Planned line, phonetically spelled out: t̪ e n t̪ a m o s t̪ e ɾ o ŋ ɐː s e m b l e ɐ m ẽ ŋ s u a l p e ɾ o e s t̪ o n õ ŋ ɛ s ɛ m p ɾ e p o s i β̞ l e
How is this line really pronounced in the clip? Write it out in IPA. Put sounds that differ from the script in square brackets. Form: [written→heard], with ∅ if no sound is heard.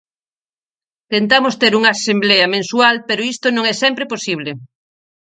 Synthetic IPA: t̪ e n t̪ a m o s t̪ e ɾ [o→u] ŋ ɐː s e m b l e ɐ m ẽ [ŋ→n] s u a l p e ɾ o [e→i] s t̪ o n õ ŋ ɛ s ɛ m p ɾ e p o s i β̞ l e